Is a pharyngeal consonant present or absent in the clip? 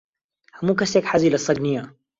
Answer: present